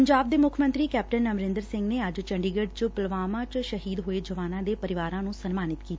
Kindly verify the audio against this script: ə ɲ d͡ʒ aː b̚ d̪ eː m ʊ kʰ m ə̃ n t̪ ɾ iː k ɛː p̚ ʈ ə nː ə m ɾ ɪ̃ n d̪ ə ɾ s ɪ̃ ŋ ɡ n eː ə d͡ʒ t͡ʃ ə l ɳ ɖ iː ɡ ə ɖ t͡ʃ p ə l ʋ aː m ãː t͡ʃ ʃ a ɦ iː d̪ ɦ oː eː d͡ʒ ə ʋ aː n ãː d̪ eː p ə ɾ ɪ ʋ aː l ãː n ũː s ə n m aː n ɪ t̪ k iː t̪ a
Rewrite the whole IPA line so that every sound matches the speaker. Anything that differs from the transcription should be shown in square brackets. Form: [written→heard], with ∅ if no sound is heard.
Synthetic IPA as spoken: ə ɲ d͡ʒ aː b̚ d̪ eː m ʊ kʰ m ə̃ n t̪ ɾ iː k ɛː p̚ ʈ ə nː ə m ɾ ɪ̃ n d̪ ə ɾ s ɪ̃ ŋ ɡ n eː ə d͡ʒ t͡ʃ ə [l→∅] ɳ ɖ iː ɡ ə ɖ t͡ʃ p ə l ʋ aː m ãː t͡ʃ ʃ [a→ə] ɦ iː d̪ ɦ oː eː d͡ʒ ə ʋ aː n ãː d̪ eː p ə ɾ ɪ ʋ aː [l→ɾ] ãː n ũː s ə n m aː n ɪ t̪ k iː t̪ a